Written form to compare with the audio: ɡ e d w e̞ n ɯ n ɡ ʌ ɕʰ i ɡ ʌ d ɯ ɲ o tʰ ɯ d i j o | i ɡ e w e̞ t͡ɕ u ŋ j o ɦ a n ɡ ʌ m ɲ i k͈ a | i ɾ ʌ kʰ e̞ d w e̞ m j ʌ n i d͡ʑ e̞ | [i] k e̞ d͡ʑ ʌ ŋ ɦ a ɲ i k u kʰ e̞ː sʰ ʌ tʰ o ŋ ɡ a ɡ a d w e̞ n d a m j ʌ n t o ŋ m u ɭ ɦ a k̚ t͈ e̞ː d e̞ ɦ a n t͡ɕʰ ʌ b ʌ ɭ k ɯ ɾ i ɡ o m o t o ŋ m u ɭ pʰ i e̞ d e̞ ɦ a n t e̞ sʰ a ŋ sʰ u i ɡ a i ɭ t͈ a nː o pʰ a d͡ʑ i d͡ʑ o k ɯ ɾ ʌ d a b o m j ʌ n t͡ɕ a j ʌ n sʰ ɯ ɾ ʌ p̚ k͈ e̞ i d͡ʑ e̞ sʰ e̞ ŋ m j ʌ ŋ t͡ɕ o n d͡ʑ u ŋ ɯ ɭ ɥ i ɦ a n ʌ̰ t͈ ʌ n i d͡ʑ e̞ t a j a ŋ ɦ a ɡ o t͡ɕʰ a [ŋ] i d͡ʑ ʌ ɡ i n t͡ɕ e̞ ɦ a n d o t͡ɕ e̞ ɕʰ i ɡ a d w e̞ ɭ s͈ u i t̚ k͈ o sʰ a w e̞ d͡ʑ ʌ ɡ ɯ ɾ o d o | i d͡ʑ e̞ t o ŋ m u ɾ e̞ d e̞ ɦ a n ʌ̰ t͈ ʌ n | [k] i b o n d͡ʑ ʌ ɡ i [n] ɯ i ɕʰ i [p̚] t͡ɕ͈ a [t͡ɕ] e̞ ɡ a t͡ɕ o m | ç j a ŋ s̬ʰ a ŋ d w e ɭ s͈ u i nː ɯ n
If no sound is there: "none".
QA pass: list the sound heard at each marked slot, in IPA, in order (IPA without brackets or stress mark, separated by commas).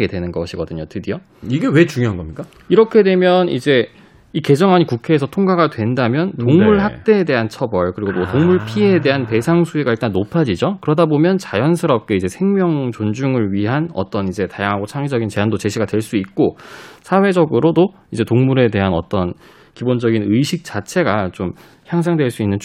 i, ŋ, k, n, k̚, t͡ɕʰ